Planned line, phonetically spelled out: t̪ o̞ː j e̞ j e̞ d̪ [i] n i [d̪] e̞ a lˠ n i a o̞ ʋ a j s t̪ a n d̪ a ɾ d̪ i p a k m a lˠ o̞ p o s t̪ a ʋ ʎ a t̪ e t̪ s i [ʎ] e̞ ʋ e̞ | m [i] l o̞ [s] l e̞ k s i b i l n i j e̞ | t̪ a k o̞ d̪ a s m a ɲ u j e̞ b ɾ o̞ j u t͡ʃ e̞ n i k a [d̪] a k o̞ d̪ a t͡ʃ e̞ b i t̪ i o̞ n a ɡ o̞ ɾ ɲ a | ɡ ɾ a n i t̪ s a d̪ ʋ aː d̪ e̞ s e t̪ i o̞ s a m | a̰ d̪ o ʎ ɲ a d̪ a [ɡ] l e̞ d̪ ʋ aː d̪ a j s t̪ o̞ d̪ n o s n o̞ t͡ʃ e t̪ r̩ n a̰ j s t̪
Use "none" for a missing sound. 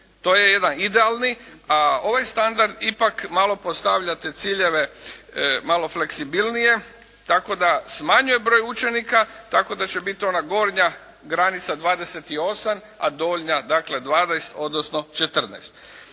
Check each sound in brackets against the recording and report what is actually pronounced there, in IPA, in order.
a, d̪, ʎ, a, f, t̪, k

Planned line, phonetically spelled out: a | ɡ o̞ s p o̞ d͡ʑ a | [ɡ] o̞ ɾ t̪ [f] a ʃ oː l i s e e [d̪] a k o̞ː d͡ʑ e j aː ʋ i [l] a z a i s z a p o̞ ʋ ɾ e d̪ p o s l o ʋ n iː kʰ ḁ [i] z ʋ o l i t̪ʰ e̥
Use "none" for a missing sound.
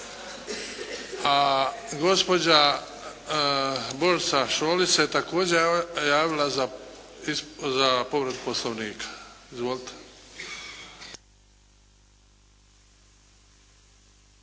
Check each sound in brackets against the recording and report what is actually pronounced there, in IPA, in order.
b, s, t̪, l, i

